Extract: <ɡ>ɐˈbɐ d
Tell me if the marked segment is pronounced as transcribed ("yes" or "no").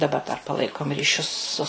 no